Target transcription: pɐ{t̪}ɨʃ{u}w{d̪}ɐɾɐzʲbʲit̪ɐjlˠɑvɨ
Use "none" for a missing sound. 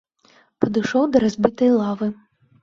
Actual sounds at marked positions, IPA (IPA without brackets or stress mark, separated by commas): d̪, ɔ, d̪